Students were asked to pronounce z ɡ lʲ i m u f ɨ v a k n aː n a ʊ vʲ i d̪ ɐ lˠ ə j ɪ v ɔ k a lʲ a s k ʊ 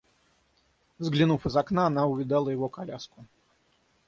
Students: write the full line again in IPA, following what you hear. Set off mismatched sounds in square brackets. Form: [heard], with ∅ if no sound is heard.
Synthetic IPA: z ɡ lʲ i [n] u f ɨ [z] a k n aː n a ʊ vʲ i d̪ [a] lˠ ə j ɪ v ɔ k a lʲ a s k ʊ